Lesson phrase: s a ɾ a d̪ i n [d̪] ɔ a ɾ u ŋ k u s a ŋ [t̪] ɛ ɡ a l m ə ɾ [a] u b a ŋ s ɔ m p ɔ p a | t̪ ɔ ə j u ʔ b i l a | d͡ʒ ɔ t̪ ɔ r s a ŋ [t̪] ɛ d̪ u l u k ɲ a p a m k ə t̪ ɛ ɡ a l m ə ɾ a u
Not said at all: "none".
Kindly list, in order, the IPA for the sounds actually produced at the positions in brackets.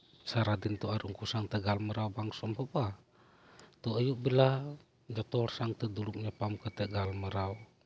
t̪, t̪, a, t̪

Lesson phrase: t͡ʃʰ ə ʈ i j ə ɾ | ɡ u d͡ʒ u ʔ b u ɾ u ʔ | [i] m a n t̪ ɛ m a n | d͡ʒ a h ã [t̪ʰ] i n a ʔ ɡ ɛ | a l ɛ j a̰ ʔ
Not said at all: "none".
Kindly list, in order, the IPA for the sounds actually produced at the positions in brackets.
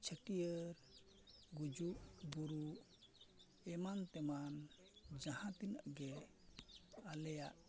ɛ, t̪

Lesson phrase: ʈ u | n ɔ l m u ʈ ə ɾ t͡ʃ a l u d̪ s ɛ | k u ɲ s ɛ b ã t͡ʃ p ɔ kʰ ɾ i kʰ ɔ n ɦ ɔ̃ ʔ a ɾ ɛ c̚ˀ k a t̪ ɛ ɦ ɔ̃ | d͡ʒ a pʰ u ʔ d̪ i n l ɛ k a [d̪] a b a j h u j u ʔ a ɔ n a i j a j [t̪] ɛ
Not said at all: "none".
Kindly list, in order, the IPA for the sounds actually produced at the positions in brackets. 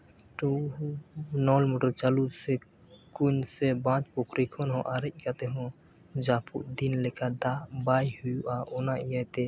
d̪, t̪

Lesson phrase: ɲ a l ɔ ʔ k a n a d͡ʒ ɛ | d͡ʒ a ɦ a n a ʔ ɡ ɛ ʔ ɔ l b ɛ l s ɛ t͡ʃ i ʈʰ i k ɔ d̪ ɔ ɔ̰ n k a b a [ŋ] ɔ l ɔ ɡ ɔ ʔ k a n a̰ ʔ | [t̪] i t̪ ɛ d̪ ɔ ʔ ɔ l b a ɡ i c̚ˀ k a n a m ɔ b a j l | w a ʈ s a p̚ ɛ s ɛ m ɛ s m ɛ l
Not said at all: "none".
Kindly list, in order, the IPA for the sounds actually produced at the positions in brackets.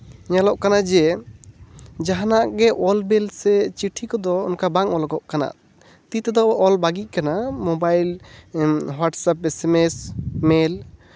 ŋ, t̪

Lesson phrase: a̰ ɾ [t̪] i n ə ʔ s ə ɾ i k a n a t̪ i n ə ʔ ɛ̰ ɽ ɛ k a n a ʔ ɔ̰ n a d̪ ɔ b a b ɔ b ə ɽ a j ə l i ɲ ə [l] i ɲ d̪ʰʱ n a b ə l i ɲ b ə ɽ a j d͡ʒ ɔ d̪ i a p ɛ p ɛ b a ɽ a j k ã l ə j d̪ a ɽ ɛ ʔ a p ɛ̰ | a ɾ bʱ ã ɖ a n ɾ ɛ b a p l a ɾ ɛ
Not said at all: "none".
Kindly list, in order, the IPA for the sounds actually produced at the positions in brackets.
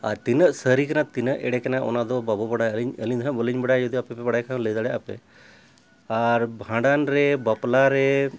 t̪, l

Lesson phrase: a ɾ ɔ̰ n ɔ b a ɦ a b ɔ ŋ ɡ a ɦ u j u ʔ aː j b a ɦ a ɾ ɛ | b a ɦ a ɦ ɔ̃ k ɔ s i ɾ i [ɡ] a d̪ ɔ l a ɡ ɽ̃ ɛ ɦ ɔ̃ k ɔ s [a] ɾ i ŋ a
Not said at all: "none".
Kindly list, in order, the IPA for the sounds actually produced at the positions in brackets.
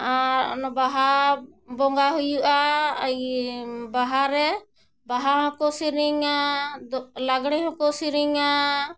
ŋ, i

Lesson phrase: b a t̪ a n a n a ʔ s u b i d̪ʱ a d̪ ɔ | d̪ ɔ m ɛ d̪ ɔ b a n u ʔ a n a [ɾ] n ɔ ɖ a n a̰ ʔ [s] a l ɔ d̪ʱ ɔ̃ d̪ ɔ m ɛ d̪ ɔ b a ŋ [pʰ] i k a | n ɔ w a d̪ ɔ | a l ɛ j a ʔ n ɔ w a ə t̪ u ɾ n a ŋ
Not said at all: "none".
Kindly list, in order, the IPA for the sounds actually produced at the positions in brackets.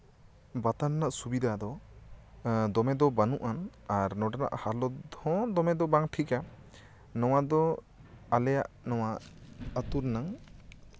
ɾ, h, ʈʰ

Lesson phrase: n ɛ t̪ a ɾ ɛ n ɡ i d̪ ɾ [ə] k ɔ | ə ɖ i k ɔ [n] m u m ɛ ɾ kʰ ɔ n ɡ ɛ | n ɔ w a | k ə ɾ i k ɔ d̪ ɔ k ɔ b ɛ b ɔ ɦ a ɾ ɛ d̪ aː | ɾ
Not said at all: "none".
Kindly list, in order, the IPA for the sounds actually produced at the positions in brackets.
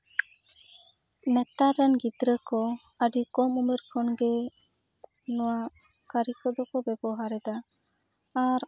ə, none

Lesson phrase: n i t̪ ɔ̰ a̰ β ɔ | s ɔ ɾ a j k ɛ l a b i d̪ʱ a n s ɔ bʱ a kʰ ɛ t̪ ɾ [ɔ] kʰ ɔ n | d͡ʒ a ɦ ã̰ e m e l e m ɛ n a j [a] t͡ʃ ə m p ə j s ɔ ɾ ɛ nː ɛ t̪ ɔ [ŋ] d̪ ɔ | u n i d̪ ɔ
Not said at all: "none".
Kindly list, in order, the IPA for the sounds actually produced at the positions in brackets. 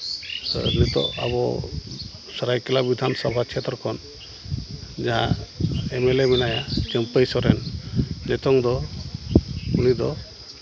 ɔ, a, ŋ

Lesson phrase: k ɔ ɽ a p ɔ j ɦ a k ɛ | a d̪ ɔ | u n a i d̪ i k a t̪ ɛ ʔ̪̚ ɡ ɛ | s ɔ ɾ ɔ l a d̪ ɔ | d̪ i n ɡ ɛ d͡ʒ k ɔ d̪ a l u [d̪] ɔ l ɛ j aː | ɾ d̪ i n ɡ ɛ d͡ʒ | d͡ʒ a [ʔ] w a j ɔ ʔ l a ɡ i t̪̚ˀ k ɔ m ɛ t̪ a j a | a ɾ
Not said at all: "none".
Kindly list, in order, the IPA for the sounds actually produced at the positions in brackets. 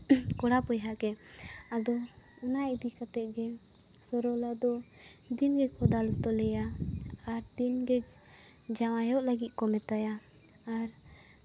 t̪, none

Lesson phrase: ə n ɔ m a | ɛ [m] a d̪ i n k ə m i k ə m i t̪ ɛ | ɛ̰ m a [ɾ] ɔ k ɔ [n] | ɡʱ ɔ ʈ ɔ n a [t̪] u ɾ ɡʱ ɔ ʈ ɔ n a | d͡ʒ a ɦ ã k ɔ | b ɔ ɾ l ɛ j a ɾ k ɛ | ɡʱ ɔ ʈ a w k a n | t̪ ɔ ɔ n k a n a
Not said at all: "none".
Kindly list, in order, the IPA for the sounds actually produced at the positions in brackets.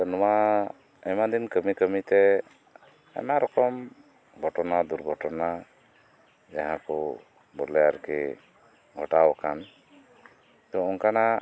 m, ɾ, m, d̪

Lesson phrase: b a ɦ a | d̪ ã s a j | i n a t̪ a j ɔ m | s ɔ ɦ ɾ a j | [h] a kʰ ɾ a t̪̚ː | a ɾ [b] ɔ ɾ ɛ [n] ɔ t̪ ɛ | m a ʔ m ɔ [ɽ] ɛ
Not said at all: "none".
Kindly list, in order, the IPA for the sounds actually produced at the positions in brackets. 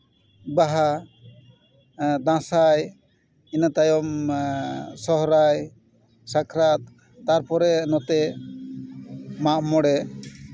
s, p, n, ɽ

